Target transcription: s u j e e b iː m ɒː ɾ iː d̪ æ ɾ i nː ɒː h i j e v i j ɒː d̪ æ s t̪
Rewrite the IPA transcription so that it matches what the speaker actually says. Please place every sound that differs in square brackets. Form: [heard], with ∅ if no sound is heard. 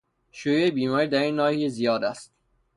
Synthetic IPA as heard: [ʃ] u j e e b iː m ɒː ɾ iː d̪ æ ɾ i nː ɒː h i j e [z] i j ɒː d̪ æ s t̪